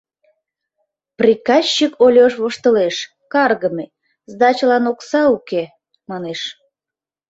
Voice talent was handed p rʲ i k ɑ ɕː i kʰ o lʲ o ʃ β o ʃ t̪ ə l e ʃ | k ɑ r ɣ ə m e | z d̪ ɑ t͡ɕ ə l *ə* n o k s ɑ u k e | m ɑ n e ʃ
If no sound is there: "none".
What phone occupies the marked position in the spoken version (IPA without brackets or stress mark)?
ɑ